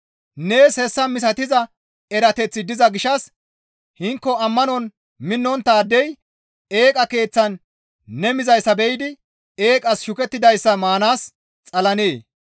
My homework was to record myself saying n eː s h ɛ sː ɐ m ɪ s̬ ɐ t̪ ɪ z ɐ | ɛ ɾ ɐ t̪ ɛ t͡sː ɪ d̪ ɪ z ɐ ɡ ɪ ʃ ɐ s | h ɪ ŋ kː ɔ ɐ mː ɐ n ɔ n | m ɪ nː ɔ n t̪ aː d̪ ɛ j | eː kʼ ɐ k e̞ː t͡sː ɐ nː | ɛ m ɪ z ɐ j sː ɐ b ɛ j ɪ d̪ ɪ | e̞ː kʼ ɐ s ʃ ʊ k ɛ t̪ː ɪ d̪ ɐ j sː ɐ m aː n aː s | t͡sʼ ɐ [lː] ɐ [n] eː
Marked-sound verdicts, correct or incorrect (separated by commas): incorrect, correct